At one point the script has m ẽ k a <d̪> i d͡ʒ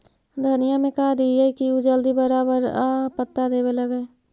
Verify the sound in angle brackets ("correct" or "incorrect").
correct